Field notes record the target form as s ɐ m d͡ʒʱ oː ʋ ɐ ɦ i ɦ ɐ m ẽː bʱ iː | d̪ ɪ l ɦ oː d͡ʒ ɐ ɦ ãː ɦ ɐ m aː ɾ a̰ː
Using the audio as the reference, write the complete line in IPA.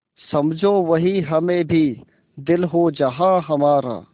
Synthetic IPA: s ɐ m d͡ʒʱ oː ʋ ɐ ɦ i ɦ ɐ m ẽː bʱ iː | d̪ ɪ l ɦ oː d͡ʒ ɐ ɦ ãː ɦ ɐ m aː ɾ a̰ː